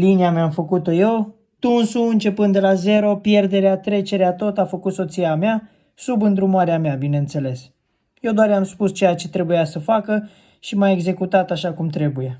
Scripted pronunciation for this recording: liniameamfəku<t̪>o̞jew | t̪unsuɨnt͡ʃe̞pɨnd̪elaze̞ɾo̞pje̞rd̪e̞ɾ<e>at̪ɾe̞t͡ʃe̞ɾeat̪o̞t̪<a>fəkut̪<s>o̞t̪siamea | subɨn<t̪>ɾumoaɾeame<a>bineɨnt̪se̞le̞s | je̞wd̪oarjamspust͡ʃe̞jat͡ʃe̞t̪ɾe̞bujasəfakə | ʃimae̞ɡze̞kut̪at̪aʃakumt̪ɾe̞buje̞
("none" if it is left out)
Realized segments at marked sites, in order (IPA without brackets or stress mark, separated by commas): t̪, e, a, s, d̪, a